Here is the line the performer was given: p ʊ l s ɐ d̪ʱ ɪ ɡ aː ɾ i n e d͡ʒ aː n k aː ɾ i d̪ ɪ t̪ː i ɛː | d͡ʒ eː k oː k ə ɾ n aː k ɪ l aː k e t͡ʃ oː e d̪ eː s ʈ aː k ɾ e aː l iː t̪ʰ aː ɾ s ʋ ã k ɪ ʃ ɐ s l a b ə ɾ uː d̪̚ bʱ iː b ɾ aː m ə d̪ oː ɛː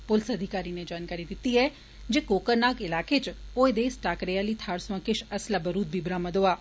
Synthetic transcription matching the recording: p ʊ l s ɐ d̪ʱ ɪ k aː ɾ i n e d͡ʒ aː n k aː ɾ i d̪ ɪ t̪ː i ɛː | d͡ʒ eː k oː k ə ɾ n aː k ɪ l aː k e t͡ʃ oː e d̪ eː s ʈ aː k ɾ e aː l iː t̪ʰ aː ɾ s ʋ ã k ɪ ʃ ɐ s l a b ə ɾ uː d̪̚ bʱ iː b ɾ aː m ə d̪ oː aː